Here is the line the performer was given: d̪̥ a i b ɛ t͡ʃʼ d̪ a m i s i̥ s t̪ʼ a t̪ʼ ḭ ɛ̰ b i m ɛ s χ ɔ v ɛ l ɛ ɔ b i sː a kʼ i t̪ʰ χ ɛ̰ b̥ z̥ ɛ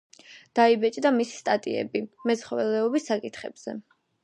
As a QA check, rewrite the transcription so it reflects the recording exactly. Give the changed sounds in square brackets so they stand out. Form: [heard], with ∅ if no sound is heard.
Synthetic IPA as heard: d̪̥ a i b ɛ t͡ʃʼ d̪ a m i s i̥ s t̪ʼ a t̪ʼ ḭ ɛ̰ b i m ɛ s χ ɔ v ɛ l ɛ ɔ b i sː a kʼ i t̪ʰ χ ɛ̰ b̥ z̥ ɛ